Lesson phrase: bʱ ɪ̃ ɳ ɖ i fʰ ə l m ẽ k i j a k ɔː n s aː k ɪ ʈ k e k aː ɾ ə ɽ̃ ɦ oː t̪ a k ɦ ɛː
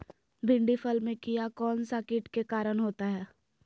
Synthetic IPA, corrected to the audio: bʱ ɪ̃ ɳ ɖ i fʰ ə l m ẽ k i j a k ɔː n s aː k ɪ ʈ k e k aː ɾ ə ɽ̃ ɦ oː t̪ a ɦ ɛː